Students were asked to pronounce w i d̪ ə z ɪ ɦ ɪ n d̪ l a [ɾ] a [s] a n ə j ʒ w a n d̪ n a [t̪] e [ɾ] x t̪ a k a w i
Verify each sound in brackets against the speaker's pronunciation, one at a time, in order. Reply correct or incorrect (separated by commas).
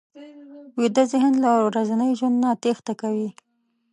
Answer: correct, incorrect, correct, incorrect